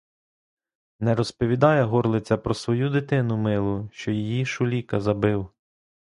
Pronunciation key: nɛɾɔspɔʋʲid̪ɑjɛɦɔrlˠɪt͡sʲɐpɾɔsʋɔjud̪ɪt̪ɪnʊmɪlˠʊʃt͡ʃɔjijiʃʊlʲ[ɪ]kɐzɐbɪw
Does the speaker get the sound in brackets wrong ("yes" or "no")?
yes